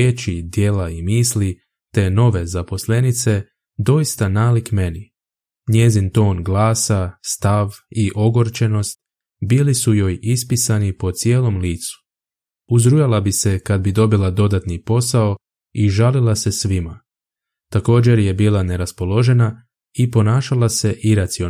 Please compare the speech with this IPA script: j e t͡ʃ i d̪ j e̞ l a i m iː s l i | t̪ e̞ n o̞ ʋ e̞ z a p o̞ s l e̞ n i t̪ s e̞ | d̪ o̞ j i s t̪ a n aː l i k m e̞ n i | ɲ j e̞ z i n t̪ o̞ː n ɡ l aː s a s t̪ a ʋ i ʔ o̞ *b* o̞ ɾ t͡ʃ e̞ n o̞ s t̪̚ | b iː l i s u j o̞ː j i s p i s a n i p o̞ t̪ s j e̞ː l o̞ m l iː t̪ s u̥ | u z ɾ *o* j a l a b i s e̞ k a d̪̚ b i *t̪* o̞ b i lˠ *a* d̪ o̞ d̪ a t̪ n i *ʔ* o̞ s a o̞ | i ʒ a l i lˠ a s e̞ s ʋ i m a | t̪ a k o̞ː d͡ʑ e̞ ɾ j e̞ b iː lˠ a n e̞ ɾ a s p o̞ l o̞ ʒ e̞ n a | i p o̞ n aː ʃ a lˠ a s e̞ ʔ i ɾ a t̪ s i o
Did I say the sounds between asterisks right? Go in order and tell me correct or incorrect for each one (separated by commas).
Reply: incorrect, incorrect, incorrect, correct, incorrect